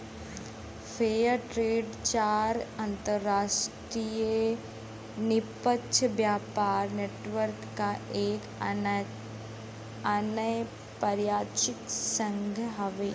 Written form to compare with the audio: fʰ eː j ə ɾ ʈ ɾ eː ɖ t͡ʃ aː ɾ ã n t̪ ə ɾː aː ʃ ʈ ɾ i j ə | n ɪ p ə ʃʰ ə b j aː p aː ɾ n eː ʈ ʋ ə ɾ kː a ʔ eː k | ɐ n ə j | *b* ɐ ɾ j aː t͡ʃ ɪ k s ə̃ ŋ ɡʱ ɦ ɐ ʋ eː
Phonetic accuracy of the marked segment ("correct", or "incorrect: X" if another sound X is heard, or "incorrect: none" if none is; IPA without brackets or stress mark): incorrect: p